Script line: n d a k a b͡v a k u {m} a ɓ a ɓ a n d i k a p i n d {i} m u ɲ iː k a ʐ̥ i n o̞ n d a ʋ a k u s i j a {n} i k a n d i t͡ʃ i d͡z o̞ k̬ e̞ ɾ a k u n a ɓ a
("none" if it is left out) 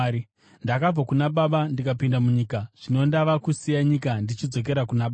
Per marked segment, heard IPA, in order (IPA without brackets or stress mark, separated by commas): n, a, ɲ